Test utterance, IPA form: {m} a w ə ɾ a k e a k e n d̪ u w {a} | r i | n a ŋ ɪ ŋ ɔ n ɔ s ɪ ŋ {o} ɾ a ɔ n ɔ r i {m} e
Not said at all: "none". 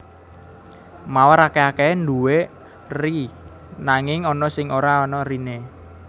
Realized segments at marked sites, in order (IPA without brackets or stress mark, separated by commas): m, e, o, n